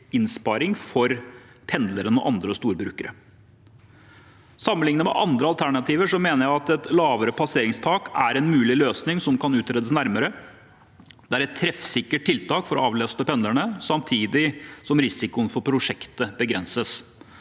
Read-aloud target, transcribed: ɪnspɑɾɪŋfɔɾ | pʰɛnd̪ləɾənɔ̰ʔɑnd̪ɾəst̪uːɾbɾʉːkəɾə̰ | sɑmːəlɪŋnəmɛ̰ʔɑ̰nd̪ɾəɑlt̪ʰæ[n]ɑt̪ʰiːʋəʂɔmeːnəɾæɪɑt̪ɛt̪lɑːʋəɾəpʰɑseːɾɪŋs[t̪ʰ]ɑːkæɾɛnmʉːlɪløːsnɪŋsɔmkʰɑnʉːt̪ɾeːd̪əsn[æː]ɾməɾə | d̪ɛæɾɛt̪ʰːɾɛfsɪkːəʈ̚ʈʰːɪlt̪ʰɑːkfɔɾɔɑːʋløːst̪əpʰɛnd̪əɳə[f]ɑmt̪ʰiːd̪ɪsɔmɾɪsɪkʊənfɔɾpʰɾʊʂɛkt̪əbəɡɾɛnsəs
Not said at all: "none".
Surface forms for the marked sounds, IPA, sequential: ɳ, t̪ʰ, æ, s

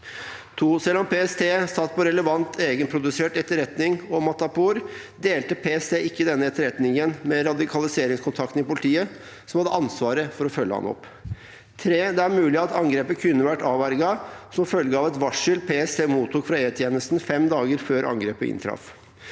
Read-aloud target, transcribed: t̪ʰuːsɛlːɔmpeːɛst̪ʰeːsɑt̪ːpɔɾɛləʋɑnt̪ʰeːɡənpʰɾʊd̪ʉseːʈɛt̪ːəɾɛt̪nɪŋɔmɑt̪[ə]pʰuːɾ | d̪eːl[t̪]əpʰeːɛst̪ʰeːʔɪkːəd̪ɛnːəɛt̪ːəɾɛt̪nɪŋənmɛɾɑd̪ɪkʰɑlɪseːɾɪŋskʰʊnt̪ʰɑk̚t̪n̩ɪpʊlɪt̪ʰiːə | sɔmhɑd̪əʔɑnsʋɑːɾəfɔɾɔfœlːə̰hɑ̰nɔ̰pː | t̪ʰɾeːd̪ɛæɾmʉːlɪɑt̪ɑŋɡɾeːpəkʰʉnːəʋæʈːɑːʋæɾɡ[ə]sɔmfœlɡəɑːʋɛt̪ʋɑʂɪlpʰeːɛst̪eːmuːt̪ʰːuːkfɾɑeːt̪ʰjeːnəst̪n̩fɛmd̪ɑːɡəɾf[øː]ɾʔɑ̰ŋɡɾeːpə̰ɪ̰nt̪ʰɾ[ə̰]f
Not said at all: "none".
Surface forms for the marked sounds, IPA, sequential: ɑ, t̪, ɑ, øː, ɑ̰

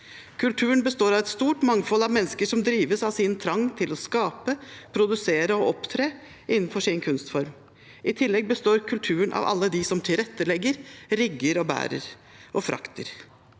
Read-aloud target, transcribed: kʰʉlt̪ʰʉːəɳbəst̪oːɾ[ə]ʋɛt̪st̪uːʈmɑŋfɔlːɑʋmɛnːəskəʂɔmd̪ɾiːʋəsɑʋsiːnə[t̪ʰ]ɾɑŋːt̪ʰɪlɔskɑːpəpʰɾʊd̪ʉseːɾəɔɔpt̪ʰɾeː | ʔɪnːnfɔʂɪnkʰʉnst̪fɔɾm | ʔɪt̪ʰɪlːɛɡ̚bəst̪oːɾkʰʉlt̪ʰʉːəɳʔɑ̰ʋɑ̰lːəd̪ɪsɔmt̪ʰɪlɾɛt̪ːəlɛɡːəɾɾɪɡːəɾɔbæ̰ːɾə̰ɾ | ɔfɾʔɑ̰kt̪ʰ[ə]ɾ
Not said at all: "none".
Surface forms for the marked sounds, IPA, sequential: ɑ, t̪ʰ, ə

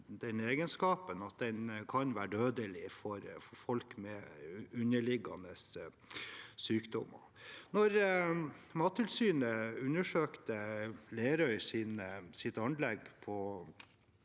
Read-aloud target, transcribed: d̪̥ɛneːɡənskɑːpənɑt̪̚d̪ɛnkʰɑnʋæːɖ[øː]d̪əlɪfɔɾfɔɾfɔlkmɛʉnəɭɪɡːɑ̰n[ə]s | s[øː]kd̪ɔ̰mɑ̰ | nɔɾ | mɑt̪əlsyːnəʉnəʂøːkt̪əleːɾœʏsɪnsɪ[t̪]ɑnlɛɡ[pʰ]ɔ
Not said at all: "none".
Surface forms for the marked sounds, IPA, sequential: øː, ə, yː, t̪, pʰ

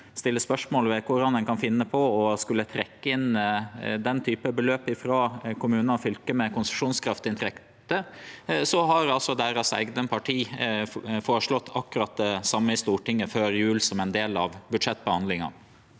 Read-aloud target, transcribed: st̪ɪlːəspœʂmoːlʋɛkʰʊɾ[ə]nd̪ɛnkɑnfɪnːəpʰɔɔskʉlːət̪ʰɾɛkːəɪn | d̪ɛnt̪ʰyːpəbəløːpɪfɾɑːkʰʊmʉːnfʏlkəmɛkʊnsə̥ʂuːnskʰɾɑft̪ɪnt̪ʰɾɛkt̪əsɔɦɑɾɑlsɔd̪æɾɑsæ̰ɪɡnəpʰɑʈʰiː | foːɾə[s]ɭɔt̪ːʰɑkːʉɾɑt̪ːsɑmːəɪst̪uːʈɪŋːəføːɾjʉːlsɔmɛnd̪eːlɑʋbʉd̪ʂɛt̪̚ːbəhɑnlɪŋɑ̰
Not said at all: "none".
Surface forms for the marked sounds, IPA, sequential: ɑ, ʂ

